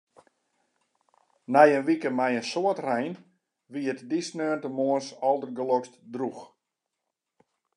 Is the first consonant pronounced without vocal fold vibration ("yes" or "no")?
no